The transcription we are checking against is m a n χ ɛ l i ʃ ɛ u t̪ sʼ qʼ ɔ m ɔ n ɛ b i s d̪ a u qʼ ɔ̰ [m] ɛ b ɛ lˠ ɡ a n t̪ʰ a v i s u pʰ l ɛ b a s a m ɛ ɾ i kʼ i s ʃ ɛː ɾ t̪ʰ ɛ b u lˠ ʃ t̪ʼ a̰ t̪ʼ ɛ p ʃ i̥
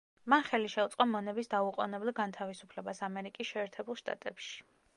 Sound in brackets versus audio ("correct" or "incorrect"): incorrect